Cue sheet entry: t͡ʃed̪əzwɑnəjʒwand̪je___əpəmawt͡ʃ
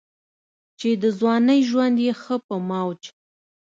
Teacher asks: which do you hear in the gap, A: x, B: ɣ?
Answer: A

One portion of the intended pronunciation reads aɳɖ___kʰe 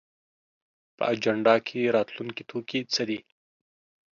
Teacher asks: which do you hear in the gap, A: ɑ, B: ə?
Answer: A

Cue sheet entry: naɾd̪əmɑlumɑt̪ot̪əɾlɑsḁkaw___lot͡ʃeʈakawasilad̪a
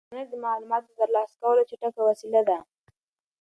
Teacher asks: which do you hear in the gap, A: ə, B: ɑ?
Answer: A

